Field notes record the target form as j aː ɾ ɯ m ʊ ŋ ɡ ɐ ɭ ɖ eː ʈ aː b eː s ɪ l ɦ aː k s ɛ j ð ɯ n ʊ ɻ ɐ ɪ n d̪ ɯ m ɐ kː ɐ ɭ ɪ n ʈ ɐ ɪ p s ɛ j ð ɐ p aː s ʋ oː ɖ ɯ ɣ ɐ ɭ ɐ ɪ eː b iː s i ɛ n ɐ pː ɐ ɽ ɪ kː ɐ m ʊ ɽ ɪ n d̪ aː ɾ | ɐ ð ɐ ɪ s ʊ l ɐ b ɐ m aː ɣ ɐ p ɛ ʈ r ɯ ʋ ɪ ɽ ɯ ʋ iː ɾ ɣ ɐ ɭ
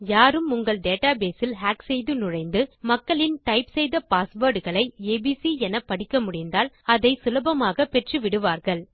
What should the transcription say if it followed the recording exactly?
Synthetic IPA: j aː ɾ ɯ m ʊ ŋ ɡ ɐ ɭ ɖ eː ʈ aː b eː s ɪ l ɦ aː k s ɛ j ð ɯ n ʊ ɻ ɐ ɪ n d̪ ɯ m ɐ kː ɐ ɭ ɪ n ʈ ɐ ɪ p s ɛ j ð ɐ p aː s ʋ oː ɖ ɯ ɣ ɐ ɭ ɐ ɪ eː b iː s i ɛ n ɐ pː ɐ ɽ ɪ kː ɐ m ʊ ɽ ɪ n d̪ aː l | ɐ ð ɐ ɪ s ʊ l ɐ b ɐ m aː ɣ ɐ p ɛ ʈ r ɯ ʋ ɪ ɽ ɯ ʋ aː ɾ ɣ ɐ ɭ